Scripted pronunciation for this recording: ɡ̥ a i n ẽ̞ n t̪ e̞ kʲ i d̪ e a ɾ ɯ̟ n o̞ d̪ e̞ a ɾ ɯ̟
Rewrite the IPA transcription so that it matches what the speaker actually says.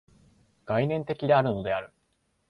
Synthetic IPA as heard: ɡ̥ a i n ẽ̞ n t̪ e̞ kʲ i d̪ e a ɾ ɯ̟ n o̞ d̪ e̞ a ɾ ɯ̟